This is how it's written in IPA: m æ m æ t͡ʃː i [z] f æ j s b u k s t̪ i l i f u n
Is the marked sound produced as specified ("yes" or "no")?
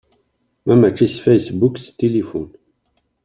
no